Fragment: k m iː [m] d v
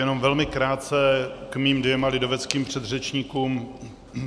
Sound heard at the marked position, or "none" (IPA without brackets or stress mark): m